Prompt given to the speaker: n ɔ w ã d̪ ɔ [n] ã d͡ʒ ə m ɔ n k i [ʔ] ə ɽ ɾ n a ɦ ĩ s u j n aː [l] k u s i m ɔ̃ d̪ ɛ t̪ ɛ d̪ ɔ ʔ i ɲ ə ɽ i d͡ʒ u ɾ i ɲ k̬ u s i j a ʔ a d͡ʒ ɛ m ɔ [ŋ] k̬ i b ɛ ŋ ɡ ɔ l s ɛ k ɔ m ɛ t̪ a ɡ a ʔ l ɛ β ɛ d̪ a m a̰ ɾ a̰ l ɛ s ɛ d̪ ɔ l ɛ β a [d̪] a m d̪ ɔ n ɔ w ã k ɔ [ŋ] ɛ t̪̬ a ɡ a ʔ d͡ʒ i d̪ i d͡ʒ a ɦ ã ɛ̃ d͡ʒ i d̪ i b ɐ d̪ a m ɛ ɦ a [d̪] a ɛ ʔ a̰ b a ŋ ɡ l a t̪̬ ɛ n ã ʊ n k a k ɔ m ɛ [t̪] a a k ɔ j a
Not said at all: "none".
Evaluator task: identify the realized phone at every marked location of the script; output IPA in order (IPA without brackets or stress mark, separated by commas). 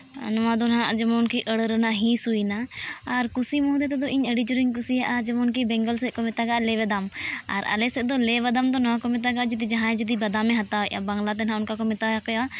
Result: n, ʔ, ɾ, n, d̪, m, t̪, t̪